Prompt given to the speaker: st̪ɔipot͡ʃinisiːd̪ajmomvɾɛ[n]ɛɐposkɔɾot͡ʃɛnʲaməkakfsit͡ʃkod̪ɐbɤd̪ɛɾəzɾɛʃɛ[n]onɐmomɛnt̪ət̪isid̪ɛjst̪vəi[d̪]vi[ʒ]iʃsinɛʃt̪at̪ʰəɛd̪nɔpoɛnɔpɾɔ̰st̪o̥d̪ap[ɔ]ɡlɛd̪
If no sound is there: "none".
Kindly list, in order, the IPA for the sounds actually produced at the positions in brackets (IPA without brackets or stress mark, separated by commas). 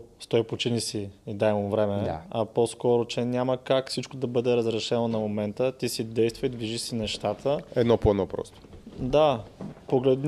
m, n, d̪, ʒ, o